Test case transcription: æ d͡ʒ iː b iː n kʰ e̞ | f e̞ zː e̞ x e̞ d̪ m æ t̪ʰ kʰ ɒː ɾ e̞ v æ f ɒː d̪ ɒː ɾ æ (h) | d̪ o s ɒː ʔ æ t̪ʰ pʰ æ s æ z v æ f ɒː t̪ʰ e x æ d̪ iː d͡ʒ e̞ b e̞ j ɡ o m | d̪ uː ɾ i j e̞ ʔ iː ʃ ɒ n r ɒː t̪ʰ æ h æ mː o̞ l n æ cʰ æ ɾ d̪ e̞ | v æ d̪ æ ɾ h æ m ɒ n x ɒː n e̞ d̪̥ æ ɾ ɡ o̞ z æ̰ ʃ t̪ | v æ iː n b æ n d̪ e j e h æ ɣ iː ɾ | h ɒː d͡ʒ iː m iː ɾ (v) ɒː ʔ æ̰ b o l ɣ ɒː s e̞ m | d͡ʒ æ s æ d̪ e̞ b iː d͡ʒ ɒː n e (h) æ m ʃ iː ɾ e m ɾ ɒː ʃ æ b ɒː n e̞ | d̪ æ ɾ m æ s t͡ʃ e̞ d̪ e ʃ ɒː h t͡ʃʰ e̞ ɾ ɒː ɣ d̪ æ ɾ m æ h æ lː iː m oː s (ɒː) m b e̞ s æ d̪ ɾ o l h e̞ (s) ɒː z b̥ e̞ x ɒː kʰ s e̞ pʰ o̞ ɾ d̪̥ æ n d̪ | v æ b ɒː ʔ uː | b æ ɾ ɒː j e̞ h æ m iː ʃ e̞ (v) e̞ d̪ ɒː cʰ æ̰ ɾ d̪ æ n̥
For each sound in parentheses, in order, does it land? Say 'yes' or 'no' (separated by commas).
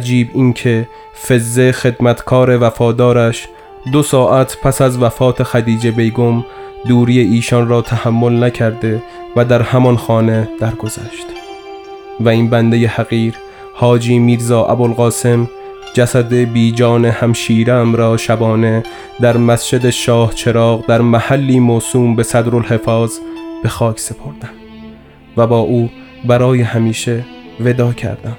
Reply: no, no, yes, no, no, yes